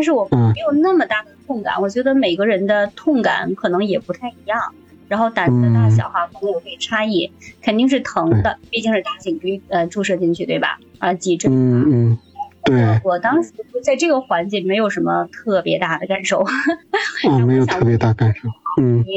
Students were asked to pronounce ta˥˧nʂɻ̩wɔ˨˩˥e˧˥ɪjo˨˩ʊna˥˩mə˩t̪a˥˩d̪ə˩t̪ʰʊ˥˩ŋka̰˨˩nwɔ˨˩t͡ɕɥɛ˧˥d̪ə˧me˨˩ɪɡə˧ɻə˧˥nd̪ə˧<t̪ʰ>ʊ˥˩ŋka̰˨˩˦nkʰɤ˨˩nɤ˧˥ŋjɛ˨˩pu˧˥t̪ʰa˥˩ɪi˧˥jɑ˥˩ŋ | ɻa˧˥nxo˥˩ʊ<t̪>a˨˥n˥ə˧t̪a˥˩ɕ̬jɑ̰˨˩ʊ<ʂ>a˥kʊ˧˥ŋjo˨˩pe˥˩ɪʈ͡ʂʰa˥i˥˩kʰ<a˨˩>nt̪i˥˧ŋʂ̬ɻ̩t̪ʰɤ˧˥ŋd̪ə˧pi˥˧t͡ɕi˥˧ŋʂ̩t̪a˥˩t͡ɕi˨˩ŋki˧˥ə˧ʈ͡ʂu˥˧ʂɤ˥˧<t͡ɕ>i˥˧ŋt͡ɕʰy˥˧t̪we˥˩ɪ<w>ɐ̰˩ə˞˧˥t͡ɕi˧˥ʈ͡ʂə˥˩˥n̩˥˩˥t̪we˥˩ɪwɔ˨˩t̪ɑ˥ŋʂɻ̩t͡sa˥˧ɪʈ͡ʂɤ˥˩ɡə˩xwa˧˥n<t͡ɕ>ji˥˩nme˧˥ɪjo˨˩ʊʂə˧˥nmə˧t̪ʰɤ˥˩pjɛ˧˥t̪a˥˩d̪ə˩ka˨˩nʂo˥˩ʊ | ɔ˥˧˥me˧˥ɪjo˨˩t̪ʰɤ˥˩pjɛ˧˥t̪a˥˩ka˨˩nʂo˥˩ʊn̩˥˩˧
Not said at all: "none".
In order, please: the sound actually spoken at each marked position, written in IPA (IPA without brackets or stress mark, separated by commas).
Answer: t̪ʰ, t̪, x, ə˨˩, t͡ɕ, b, t͡ɕ